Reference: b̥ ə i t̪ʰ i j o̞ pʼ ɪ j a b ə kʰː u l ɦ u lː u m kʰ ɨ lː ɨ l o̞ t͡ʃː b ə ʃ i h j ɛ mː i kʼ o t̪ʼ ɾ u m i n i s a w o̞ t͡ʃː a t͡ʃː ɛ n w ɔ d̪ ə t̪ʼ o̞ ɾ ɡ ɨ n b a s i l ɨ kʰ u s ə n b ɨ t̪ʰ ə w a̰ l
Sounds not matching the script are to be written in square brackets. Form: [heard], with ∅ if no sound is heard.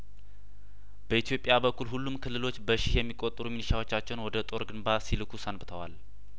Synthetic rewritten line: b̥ ə i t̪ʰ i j o̞ pʼ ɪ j a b ə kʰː u l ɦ u lː u m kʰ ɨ lː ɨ l o̞ t͡ʃː b ə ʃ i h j ɛ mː i kʼ o t̪ʼ ɾ u m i n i [ʃ] a w o̞ t͡ʃː a t͡ʃː ɛ n w ɔ d̪ ə t̪ʼ o̞ ɾ ɡ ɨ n b a s i l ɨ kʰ u s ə n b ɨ t̪ʰ ə w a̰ l